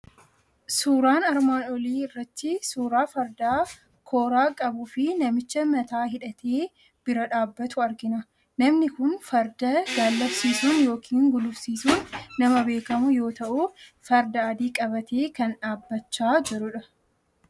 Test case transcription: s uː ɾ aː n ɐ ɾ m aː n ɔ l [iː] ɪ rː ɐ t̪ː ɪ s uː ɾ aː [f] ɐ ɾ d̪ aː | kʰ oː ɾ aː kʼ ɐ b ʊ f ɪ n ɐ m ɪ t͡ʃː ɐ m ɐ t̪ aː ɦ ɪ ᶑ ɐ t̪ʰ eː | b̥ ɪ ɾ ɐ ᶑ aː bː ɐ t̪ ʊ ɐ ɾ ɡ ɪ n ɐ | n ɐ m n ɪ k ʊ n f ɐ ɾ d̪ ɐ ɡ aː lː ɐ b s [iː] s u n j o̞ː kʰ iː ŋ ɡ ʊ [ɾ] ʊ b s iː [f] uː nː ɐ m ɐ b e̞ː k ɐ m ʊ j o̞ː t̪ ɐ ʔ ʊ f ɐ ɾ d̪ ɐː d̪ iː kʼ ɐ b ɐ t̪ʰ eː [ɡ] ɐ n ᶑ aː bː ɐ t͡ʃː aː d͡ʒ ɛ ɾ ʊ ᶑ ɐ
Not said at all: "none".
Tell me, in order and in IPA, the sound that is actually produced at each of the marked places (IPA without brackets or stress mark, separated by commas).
iː, f, iː, l, s, k